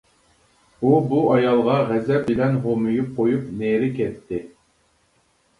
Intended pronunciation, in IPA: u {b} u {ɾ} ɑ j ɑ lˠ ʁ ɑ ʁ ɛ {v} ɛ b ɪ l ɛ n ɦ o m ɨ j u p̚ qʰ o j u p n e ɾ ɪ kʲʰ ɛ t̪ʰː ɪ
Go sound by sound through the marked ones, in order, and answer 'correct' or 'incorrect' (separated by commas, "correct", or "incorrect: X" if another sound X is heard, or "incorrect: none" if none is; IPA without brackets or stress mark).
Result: correct, incorrect: none, incorrect: z